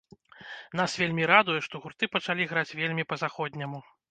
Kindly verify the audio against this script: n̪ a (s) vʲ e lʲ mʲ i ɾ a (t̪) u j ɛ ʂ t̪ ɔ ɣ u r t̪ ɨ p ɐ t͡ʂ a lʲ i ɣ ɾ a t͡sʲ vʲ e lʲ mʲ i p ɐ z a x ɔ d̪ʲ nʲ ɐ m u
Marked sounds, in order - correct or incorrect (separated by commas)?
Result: correct, incorrect